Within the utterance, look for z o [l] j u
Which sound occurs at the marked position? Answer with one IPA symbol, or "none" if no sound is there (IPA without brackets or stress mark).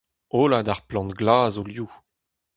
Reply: l